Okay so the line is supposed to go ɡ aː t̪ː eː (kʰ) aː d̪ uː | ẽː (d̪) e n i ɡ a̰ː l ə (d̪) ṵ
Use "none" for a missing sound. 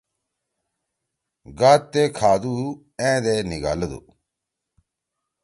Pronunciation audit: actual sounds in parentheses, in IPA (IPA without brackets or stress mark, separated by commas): kʰ, d̪, d̪